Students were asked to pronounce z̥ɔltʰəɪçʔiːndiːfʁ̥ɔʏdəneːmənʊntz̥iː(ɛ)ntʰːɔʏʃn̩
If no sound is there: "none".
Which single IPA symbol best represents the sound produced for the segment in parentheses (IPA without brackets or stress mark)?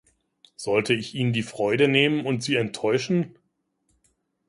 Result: ɛ